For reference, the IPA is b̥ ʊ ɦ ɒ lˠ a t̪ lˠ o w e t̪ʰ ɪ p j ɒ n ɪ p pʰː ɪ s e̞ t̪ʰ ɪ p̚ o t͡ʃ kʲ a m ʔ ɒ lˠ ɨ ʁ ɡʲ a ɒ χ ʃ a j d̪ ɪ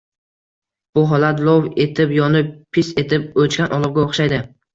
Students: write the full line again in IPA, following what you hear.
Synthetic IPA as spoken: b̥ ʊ ɦ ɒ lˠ a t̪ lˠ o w e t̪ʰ ɪ p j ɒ n ɪ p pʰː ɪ s e̞ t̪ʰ ɪ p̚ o t͡ʃ kʲ a n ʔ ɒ lˠ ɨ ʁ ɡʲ a o χ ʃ a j d̪ ɪ